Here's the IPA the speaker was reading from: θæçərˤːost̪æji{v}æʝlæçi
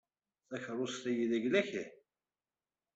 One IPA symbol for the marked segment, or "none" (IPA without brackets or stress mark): ð